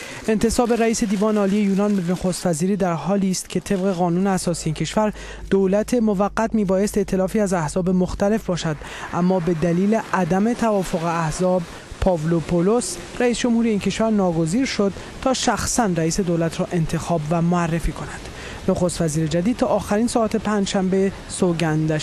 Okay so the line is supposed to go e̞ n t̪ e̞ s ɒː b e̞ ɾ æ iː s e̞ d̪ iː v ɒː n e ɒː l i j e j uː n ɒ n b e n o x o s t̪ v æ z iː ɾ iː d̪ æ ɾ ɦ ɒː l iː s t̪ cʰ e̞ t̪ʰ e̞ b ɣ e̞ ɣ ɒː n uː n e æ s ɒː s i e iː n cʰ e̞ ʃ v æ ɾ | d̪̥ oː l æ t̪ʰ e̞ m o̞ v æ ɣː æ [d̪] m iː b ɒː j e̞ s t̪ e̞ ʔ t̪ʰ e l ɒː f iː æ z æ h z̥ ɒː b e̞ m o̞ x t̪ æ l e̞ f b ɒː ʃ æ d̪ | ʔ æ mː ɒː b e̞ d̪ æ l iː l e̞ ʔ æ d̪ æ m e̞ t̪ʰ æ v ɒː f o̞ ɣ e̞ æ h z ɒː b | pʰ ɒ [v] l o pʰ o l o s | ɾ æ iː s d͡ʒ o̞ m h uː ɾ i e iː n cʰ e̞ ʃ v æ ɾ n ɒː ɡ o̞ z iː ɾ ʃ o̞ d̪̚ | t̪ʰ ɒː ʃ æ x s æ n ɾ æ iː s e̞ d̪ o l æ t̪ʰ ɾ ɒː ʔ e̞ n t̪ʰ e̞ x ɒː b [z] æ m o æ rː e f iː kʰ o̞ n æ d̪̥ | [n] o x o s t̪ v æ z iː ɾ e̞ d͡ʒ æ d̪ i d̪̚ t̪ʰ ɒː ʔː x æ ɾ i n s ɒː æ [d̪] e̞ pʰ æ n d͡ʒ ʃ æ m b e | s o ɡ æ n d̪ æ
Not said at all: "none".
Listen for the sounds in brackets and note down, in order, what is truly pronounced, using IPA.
t̪, v, v, n, t̪

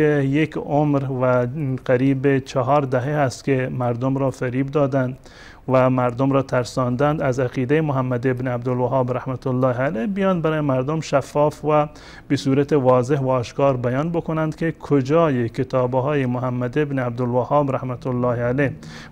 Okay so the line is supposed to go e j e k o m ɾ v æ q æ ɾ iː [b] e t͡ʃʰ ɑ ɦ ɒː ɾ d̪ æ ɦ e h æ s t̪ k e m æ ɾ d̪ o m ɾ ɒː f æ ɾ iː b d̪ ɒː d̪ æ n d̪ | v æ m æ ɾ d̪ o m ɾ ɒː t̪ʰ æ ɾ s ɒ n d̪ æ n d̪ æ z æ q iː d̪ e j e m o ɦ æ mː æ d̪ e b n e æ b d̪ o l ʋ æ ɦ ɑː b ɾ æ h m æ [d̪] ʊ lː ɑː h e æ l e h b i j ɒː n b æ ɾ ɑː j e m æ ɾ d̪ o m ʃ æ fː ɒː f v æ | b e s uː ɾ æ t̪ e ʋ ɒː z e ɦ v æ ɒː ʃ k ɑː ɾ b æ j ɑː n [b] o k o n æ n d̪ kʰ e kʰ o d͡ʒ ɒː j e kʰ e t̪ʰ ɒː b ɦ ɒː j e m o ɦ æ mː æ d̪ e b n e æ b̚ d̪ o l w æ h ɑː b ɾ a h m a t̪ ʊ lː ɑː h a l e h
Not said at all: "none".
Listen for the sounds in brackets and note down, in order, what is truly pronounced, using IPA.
b, t̪, b

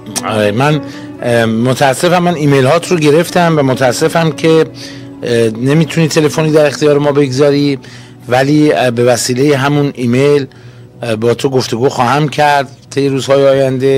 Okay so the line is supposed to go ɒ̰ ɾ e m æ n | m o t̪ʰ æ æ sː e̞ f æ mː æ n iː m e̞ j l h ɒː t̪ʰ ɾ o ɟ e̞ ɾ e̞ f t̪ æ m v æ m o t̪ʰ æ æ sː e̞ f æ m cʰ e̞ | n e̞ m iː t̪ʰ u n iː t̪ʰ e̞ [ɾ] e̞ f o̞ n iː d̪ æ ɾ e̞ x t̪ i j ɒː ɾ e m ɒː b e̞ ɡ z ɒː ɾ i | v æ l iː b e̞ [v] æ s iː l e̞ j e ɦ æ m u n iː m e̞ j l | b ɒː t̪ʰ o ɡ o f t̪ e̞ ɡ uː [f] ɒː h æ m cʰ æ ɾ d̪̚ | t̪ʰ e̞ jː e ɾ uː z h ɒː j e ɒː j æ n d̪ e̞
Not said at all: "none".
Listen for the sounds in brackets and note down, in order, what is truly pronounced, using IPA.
l, v, x

